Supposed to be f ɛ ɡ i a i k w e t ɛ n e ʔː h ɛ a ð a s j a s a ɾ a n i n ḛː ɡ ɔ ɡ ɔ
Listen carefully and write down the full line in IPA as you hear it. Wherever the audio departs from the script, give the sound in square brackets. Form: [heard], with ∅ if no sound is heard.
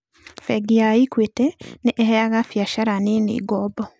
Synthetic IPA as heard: f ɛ ɡ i a i k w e t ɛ n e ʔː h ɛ a [ɣ] a [f] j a [ʃ] a ɾ a n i n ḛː ɡ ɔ [b] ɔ